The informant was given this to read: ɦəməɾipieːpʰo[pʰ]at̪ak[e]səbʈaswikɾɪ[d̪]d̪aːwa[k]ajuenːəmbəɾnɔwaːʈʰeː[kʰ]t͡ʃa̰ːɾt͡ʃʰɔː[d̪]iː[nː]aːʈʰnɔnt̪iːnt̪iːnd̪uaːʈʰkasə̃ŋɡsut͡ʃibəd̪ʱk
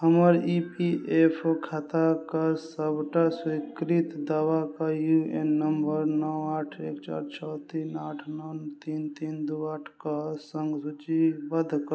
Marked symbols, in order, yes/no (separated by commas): no, no, no, yes, no, no, no